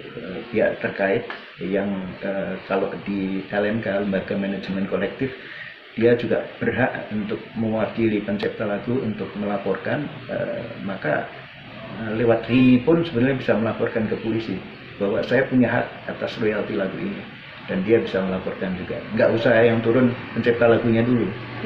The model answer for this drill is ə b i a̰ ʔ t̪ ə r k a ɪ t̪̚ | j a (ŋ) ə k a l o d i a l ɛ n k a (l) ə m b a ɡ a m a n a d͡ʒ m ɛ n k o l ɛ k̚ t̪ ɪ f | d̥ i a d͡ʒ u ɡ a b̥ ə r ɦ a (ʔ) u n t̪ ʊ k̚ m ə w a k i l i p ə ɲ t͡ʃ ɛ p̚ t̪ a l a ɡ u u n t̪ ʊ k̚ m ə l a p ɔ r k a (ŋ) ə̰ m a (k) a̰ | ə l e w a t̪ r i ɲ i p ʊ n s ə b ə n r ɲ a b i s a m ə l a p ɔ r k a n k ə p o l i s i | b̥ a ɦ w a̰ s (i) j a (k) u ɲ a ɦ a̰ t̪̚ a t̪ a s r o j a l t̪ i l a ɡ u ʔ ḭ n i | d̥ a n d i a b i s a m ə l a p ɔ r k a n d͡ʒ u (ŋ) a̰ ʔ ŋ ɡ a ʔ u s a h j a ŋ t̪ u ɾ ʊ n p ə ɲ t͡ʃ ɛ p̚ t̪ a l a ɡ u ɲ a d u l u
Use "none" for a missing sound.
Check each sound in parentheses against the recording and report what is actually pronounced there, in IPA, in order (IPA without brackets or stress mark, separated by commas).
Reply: ŋ, l, ʔ, n, k, a, p, ɡ